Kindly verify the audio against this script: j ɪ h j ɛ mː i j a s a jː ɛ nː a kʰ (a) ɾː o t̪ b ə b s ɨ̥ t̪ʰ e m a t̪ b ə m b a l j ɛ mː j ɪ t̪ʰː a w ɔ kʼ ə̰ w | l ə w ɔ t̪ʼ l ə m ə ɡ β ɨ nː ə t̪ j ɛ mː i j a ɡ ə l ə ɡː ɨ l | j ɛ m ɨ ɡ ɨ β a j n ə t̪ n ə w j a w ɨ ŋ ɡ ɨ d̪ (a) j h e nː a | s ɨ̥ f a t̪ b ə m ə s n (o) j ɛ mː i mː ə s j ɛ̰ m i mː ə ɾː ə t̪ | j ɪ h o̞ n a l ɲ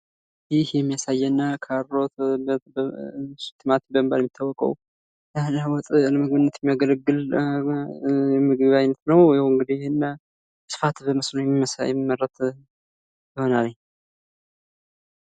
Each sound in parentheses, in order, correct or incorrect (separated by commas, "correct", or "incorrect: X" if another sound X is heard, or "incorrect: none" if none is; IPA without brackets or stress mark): correct, incorrect: i, correct